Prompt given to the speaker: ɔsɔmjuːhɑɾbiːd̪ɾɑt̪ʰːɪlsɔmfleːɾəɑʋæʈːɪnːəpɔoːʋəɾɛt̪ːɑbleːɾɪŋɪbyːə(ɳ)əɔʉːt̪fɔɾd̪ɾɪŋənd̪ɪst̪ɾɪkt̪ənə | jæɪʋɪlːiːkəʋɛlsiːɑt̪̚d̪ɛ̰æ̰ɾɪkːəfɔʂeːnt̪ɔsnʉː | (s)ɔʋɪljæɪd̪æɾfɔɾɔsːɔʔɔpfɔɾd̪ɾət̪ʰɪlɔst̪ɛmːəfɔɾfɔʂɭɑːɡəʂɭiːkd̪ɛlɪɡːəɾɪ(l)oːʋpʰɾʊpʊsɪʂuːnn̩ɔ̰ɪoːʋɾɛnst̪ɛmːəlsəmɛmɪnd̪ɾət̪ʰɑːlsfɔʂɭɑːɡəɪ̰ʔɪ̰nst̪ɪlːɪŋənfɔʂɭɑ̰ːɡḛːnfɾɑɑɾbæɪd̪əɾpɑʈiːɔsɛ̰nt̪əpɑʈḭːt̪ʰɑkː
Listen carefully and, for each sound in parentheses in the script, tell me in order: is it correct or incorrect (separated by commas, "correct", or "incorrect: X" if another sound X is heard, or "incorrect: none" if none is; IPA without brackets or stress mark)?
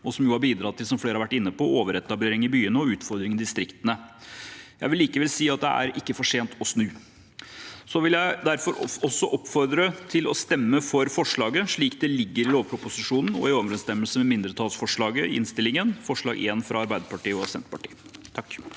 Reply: incorrect: n, correct, correct